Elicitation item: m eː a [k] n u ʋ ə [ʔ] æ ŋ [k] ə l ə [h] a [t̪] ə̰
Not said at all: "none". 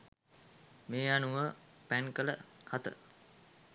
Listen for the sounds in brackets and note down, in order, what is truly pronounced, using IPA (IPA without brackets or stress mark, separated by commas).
none, p, k, h, t̪